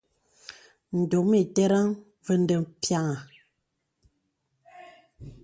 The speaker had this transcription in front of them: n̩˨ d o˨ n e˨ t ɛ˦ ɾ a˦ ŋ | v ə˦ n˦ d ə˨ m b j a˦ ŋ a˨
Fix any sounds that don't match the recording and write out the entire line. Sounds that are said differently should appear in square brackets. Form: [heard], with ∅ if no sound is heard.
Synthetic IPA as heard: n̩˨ d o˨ [m] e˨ t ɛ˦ ɾ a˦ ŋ | v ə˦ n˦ d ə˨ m [p] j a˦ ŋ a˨

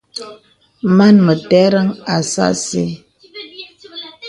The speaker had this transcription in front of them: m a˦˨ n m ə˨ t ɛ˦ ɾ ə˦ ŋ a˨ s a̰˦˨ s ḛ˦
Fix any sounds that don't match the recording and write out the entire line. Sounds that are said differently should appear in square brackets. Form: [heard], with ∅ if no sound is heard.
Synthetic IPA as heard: m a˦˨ n m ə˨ t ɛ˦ ɾ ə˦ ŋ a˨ s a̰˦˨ s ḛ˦

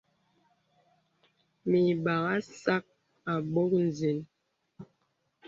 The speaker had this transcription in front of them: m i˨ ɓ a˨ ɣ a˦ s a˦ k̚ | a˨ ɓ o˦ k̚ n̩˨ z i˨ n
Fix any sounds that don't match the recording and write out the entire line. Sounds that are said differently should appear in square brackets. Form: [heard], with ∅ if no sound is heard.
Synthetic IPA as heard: m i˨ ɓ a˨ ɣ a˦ s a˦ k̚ | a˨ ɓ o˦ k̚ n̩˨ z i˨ n

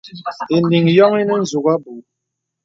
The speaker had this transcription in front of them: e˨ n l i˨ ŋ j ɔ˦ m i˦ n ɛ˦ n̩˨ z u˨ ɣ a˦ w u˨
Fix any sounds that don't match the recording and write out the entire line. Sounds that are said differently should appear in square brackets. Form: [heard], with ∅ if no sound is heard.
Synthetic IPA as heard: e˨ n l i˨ ŋ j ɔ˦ [ŋ] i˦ n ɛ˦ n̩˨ z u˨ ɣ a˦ [b] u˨

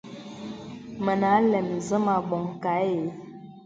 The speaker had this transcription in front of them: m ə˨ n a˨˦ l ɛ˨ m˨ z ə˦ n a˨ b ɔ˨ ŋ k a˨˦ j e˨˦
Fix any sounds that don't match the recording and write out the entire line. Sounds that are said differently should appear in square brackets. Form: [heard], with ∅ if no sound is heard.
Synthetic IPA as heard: m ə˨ n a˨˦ l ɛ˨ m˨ z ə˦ [m] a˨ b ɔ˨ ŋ k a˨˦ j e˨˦

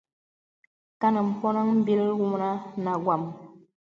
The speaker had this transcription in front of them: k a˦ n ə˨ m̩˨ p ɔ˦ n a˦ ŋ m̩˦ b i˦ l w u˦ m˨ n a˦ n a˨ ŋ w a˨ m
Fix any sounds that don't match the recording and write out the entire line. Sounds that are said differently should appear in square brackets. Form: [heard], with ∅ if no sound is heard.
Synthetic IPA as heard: k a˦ n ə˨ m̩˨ p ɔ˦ n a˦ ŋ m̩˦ b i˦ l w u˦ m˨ n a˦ n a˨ [ɡ] w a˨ m

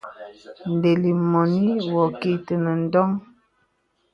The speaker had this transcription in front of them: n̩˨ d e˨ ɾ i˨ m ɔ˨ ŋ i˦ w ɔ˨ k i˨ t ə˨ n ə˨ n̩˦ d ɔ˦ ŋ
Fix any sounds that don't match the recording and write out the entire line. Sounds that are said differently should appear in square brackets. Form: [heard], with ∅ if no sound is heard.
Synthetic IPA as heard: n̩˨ d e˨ [l] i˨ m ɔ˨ [n] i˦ w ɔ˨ k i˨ t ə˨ n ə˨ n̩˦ d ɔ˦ ŋ

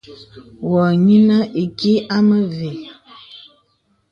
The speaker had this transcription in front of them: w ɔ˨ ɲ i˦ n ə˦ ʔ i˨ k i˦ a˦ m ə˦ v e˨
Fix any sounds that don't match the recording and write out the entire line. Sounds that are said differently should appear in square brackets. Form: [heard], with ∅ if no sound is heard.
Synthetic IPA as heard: w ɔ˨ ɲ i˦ n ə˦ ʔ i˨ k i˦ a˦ m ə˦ v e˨

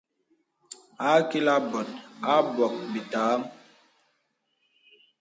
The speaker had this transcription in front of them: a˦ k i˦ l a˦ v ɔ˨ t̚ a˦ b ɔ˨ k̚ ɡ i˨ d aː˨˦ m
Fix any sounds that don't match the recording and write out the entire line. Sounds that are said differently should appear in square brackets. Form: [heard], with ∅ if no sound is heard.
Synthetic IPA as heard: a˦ k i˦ l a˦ [b] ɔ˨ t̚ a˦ b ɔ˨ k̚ [b] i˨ [t] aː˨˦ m

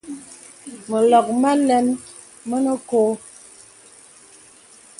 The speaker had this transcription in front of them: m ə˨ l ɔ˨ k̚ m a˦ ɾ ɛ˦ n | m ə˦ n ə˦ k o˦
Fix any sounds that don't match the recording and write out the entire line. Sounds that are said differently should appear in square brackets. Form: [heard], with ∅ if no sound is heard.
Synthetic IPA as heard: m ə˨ l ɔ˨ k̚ m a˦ [l] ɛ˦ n | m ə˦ n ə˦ k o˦

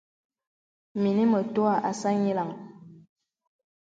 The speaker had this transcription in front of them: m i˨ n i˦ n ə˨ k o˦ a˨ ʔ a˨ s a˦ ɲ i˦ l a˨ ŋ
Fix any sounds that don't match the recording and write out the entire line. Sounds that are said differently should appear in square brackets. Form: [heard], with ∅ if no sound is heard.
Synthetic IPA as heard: m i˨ n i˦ [m] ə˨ [t] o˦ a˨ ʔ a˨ s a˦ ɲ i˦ l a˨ ŋ

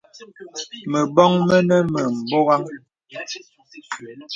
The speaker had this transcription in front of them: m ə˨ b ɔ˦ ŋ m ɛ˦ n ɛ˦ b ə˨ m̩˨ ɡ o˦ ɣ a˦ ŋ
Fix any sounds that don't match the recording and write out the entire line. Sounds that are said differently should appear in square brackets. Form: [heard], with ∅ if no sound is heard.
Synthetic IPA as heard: m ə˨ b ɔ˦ ŋ m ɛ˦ n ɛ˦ [m] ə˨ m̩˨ [b] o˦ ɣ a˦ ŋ

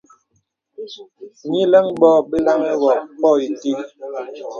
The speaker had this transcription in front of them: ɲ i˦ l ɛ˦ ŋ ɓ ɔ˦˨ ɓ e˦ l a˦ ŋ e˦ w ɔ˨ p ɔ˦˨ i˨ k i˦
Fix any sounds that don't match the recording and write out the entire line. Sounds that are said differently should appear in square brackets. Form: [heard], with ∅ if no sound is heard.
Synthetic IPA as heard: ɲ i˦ l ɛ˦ ŋ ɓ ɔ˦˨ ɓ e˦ l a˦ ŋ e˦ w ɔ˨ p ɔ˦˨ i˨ [t] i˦

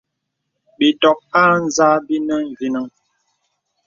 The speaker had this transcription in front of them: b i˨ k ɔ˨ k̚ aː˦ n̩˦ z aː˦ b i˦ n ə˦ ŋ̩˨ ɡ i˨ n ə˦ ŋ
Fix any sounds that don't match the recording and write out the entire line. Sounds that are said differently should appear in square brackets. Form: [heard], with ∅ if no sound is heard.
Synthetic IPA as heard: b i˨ [t] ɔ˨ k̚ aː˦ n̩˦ z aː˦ b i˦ n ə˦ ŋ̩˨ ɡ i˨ n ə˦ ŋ

